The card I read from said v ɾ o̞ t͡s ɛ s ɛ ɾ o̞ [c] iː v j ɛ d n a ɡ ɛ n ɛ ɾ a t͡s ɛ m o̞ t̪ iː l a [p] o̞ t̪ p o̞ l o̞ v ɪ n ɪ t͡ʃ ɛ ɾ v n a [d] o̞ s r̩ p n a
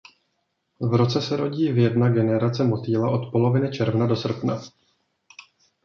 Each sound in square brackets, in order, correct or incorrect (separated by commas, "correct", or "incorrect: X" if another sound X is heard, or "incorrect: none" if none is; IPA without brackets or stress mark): incorrect: ɟ, incorrect: ʔ, correct